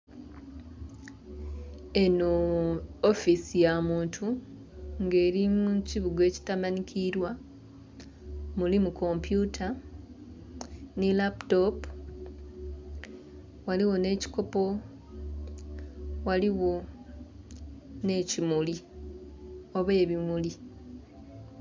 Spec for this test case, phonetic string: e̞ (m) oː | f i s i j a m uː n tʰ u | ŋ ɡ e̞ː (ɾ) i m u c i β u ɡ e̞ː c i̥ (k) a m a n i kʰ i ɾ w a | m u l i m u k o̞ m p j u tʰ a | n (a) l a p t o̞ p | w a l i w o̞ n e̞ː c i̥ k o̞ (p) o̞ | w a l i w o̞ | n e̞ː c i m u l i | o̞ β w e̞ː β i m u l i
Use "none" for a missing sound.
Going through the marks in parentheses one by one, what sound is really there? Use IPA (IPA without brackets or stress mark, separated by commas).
n, ɾ, t, i, p